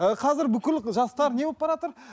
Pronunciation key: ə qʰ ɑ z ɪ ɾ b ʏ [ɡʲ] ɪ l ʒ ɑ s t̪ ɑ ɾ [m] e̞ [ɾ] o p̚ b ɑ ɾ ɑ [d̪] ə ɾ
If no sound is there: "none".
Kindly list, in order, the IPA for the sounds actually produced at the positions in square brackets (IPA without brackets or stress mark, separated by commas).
kʲ, n, none, t̪